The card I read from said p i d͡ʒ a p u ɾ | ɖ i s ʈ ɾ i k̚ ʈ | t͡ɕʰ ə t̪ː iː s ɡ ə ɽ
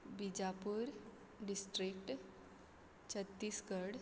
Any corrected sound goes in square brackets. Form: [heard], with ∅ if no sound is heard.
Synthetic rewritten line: [b] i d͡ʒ a p u ɾ | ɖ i s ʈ ɾ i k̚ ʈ | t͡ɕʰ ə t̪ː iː s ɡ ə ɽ

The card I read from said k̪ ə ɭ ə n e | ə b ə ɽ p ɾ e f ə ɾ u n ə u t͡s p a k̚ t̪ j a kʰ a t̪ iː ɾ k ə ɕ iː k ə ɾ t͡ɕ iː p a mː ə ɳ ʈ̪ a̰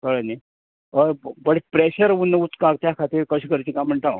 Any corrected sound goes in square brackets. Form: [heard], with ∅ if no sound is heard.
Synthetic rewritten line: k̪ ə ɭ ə n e | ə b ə ɽ p ɾ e [ɕ] ə ɾ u n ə u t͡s [k] a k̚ t̪ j a kʰ a t̪ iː ɾ k ə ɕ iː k ə ɾ t͡ɕ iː [k] a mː ə ɳ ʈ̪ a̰

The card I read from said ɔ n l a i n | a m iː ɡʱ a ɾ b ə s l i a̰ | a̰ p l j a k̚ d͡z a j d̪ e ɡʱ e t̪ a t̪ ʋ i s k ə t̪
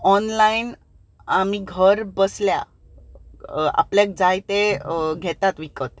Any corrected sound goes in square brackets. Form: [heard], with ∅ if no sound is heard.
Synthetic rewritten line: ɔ n l a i n | a m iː ɡʱ [ə] ɾ b ə s l [j] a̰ | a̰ p l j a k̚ d͡z a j [t̪] e ɡʱ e t̪ a t̪ ʋ i [∅] k ə t̪

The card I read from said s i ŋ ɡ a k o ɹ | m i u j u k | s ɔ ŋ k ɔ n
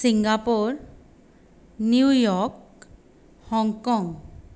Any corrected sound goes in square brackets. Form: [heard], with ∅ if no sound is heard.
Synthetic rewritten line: s i ŋ ɡ a [p] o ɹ | [n] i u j [ɔ] k | [h] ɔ ŋ k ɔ [ŋ]

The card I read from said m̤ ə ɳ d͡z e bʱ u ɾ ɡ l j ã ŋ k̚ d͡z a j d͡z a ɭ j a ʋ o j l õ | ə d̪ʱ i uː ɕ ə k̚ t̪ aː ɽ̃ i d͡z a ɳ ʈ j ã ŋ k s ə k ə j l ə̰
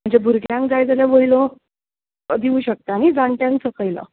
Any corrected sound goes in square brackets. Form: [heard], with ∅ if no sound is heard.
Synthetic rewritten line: m̤ ə ɳ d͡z e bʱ u ɾ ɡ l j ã ŋ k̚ d͡z a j d͡z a [l] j a ʋ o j l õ | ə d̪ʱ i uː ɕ ə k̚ t̪ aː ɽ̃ i d͡z a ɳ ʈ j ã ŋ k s ə k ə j l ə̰

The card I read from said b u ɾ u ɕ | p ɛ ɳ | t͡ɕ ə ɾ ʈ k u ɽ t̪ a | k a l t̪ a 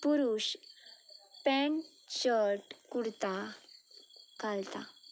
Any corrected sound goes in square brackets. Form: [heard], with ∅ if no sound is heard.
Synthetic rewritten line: [p] u ɾ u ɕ | p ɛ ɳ | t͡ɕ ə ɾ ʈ k u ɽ t̪ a | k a l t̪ a

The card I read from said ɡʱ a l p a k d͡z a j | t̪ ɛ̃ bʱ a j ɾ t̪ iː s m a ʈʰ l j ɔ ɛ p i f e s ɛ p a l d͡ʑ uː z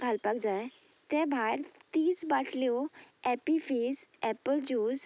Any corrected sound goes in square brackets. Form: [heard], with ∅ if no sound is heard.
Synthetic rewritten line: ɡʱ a l p a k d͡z a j | t̪ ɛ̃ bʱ a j ɾ t̪ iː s [b] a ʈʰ l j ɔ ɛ p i f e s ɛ p [ə] l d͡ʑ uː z

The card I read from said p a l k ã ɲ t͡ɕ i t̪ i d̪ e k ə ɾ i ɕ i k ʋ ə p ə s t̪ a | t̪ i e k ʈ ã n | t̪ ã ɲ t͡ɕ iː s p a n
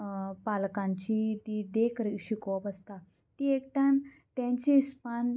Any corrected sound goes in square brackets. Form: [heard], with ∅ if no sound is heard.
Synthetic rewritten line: p a l k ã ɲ t͡ɕ i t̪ i d̪ e k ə ɾ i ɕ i k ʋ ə p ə s t̪ a | t̪ i e k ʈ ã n | t̪ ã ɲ t͡ɕ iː s p a n

